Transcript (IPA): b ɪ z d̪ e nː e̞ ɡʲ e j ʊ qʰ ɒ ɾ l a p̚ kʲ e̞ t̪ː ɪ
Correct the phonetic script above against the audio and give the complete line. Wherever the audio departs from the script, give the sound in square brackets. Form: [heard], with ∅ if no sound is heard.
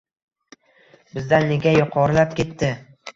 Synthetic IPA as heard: b ɪ z d̪ [a] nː e̞ ɡʲ [a] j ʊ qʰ ɒ ɾ l a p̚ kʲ e̞ t̪ː ɪ